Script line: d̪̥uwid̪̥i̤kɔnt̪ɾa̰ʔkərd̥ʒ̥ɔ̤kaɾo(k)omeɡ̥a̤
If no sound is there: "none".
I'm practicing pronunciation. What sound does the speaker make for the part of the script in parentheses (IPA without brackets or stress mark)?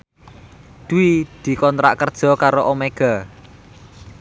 ʔ